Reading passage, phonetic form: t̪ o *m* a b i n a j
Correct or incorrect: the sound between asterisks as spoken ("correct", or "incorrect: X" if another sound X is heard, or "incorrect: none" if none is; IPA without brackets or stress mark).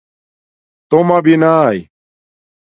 correct